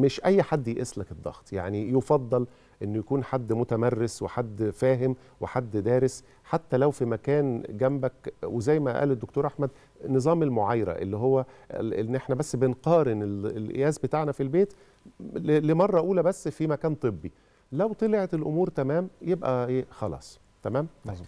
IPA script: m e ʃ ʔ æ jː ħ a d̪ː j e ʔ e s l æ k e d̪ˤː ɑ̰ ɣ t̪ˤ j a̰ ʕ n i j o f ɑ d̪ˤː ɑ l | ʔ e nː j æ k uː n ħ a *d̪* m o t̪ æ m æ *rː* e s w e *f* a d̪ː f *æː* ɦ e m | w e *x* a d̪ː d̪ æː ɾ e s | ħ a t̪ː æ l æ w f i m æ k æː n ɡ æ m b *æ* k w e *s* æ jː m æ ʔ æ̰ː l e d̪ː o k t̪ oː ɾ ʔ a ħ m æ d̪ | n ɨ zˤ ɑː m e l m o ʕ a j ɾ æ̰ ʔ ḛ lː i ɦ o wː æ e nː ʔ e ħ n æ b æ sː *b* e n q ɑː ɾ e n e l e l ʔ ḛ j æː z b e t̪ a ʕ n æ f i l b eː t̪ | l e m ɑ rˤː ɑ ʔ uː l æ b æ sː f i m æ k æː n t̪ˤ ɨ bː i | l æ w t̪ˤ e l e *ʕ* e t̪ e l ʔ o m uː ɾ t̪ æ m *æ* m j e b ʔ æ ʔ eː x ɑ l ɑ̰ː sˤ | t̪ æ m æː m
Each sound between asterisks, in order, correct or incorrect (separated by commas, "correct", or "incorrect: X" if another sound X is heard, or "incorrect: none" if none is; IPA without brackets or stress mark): incorrect: d̪ː, correct, incorrect: ħ, correct, incorrect: ħ, correct, incorrect: z, correct, correct, incorrect: æː